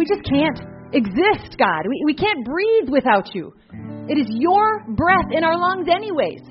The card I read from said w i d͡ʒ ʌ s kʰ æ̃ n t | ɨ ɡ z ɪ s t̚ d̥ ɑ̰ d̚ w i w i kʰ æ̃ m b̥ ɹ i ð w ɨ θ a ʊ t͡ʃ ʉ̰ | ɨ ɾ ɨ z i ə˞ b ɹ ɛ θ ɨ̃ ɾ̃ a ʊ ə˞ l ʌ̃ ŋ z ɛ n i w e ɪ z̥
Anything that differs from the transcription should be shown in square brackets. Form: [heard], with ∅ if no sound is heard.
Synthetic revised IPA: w i d͡ʒ ʌ s kʰ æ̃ n t | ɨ ɡ z ɪ s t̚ [ɡ̥] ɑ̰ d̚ w i w i kʰ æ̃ [n] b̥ ɹ i ð w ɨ θ a ʊ t͡ʃ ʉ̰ | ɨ ɾ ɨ z [j] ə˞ b ɹ ɛ θ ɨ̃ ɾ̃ a ʊ ə˞ l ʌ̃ ŋ z ɛ n i w e ɪ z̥